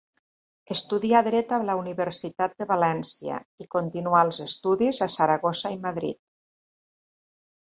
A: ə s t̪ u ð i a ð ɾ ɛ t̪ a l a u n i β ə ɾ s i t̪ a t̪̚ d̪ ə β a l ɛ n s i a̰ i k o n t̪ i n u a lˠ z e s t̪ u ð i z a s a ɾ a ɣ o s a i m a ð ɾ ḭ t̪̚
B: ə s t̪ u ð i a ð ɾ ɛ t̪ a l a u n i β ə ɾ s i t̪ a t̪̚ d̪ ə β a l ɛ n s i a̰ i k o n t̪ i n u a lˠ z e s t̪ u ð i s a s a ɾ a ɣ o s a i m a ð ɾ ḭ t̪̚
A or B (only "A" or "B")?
A